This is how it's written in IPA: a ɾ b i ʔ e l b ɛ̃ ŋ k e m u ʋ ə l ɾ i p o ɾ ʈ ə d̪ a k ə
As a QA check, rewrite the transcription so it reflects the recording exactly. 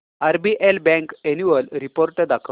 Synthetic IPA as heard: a ɾ b i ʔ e l b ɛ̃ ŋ k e n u ʋ ə l ɾ i p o ɾ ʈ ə d̪ a kʰ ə